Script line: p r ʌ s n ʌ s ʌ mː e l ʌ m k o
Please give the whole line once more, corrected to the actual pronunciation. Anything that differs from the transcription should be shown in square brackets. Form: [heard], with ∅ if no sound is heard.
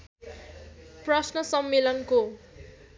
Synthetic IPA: p r ʌ s n ʌ s ʌ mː e l ʌ [n] k o